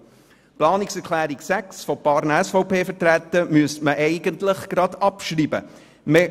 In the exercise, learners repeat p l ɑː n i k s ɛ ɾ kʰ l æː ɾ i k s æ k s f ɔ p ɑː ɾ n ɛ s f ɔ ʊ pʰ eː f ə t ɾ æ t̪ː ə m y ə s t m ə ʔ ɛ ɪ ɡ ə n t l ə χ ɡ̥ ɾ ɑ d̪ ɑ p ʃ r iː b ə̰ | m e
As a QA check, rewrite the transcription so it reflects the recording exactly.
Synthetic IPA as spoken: p l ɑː n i k s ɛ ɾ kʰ l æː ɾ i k s æ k s f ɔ p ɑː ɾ n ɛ s f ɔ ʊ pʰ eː f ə t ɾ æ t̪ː ə m y ə s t m ə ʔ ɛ ɪ ɡ ə n t l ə χ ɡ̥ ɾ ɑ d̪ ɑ p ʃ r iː b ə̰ | m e